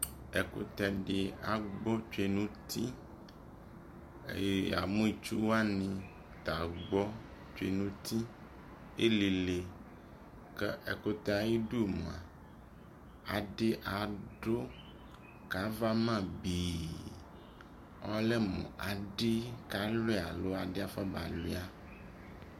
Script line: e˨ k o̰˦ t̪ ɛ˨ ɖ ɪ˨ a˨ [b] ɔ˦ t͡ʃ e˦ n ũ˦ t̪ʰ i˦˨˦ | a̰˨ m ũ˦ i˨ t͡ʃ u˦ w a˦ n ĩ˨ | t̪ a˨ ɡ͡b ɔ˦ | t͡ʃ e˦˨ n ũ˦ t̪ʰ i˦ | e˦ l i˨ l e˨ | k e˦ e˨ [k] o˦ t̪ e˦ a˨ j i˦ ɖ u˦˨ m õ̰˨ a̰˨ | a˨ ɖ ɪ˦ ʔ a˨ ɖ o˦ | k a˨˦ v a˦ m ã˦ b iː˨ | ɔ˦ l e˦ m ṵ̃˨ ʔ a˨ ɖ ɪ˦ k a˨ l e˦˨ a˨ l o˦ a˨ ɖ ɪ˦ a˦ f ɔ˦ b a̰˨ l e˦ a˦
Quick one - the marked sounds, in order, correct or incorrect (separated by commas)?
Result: incorrect, correct